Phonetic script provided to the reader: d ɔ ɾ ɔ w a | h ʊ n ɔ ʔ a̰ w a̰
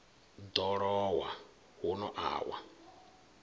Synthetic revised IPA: d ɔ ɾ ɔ w a | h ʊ n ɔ ʔ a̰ w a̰